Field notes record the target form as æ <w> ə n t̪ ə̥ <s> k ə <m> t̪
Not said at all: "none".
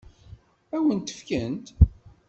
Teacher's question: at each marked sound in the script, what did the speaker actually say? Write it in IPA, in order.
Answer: w, f, n

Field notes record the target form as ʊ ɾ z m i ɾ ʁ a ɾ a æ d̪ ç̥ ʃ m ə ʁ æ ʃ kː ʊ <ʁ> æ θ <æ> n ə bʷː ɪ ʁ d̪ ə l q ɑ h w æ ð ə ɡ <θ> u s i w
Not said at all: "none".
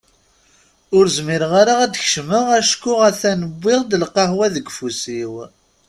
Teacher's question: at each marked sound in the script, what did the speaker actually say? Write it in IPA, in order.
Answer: ʁ, æ, f

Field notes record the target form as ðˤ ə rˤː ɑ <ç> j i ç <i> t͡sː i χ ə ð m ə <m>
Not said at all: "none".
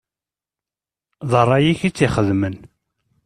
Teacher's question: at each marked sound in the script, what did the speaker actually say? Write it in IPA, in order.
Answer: none, i, n

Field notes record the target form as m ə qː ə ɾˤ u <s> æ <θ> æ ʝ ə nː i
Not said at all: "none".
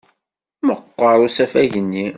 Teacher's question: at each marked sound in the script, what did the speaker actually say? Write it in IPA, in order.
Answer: s, f

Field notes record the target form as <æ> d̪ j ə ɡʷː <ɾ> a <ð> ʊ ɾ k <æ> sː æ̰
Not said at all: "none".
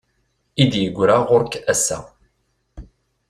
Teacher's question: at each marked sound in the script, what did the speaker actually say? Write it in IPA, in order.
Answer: i, ɾ, ʁ, æ

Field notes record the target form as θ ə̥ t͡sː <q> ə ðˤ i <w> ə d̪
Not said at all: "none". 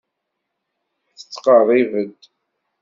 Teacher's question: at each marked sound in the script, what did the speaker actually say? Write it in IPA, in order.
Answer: q, v

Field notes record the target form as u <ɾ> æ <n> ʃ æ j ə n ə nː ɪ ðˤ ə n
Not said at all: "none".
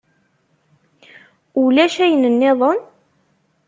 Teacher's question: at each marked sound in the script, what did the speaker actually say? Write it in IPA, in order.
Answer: l, none

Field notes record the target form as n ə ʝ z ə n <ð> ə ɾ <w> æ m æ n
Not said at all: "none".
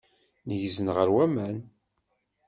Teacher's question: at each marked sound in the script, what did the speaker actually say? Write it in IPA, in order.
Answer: ʁ, w

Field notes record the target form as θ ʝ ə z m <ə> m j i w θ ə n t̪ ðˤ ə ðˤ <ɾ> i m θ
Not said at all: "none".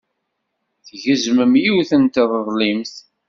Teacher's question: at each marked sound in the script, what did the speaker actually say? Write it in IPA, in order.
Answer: ə, l

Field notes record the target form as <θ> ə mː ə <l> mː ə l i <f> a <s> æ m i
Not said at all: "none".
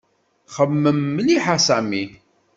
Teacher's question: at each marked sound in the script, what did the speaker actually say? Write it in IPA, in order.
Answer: χ, none, ħ, s

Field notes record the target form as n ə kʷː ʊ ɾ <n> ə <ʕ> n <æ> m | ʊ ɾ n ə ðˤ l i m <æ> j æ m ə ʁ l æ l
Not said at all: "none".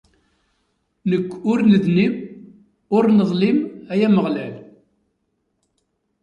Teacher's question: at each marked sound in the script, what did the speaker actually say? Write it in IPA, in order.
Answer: n, ð, i, æ

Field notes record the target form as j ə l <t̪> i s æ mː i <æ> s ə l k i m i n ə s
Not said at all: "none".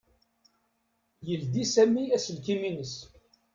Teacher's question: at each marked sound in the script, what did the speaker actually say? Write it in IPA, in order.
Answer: d̪, æ

